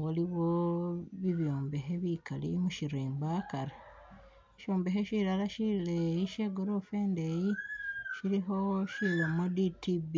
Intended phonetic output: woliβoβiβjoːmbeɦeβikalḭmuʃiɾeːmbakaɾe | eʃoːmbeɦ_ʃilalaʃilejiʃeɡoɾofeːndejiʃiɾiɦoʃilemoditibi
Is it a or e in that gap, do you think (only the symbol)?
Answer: e